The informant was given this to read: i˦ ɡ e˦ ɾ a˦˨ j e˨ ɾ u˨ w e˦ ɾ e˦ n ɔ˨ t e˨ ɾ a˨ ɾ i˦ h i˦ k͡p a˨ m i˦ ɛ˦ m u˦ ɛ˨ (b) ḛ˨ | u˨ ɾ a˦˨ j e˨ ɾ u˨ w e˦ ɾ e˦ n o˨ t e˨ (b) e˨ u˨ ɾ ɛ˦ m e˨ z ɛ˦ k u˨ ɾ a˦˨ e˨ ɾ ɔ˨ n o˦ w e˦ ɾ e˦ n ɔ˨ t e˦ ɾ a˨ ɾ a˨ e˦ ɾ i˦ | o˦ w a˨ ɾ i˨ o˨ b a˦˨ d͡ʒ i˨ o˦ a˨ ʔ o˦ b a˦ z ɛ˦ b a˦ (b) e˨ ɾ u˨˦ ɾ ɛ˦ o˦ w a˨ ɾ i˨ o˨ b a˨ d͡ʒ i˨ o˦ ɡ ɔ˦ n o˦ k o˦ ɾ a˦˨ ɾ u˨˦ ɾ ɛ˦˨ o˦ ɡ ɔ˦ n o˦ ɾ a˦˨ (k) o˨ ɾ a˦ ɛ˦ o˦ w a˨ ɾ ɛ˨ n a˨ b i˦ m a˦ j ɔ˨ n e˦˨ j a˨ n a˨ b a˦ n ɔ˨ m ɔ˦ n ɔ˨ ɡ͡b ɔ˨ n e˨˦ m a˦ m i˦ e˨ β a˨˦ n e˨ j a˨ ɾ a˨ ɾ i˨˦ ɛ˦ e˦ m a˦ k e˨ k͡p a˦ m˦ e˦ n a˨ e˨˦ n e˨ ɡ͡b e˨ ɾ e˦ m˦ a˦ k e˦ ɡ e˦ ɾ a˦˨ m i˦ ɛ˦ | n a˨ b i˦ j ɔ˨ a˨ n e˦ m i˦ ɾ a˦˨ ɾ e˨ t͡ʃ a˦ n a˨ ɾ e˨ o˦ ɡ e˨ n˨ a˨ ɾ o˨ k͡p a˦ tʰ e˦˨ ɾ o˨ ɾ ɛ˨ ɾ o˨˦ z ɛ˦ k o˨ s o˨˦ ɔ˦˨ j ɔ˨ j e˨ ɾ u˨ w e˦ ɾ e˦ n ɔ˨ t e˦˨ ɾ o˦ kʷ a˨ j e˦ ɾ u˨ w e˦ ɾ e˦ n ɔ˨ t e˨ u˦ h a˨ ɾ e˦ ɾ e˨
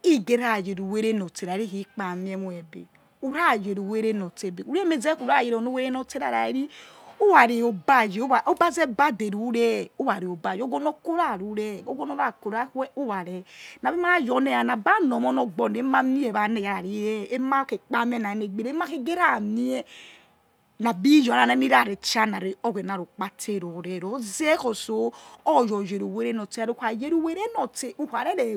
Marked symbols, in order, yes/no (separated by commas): yes, yes, no, yes